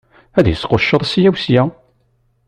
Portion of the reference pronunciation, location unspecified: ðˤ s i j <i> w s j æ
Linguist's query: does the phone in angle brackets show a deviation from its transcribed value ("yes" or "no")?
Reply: yes